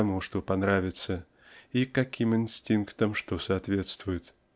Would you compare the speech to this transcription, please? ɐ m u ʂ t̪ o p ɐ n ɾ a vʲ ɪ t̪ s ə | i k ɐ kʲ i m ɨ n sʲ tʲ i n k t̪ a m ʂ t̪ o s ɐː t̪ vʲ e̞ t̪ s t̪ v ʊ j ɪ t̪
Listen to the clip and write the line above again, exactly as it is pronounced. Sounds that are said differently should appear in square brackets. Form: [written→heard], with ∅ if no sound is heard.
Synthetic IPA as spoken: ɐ m u ʂ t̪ o p ɐ n ɾ a vʲ ɪ t̪ s ə | i k ɐ kʲ i m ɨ n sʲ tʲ i n k t̪ [a→ə] m ʂ t̪ o s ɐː t̪ vʲ e̞ t̪ s t̪ v ʊ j ɪ t̪